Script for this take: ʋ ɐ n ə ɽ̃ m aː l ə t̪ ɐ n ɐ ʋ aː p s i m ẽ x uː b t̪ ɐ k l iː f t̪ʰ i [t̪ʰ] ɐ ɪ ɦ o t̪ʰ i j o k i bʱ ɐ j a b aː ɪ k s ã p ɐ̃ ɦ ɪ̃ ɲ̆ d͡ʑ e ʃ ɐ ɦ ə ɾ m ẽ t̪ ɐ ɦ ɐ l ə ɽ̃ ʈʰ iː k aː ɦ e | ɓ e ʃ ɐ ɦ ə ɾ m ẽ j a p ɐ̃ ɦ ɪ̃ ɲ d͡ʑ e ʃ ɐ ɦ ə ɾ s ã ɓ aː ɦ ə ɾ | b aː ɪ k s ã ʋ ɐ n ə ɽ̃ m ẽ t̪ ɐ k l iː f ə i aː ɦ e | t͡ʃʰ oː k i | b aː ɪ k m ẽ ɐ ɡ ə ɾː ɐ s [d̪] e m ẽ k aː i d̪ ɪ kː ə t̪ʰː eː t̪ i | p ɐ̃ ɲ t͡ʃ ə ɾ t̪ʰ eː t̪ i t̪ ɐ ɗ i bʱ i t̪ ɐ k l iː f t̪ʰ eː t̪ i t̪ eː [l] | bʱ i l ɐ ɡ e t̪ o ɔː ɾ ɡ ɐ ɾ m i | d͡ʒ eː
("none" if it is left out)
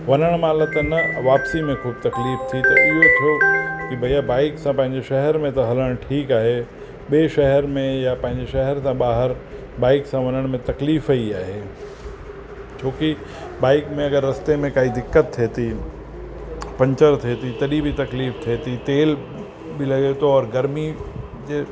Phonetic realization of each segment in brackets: t̪, t̪, l

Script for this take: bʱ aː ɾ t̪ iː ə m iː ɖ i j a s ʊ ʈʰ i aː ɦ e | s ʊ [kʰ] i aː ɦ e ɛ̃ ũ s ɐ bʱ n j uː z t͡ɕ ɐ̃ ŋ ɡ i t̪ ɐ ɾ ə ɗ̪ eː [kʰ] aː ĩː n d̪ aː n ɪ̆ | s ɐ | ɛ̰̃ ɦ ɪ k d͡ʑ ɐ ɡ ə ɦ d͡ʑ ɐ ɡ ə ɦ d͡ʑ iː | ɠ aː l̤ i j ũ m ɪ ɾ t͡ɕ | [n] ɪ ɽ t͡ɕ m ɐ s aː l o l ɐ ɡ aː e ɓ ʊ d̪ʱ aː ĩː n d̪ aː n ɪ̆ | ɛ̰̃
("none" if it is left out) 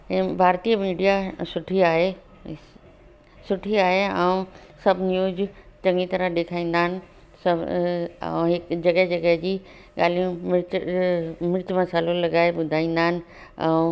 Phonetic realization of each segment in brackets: ʈʰ, kʰ, m

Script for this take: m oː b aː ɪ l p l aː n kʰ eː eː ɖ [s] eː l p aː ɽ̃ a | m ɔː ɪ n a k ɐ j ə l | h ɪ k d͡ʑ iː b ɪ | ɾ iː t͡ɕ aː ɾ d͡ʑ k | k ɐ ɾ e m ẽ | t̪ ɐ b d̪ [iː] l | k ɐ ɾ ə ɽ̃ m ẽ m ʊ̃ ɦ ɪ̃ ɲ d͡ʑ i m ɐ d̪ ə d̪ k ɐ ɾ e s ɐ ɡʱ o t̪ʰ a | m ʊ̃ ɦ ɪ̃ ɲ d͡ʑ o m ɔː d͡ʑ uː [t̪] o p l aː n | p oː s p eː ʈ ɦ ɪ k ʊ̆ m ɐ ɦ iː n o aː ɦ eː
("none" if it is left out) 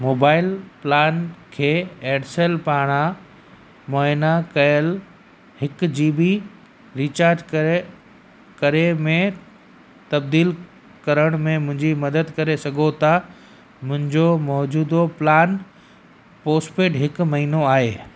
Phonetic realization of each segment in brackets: s, iː, d̪

